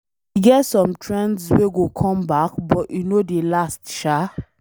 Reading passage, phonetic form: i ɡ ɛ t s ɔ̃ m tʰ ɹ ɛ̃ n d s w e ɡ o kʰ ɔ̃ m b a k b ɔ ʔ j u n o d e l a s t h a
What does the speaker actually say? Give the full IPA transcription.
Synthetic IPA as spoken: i ɡ ɛ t s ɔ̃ m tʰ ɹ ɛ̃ n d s w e ɡ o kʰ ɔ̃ m b a k b ɔ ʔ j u n o d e l a s t ʃ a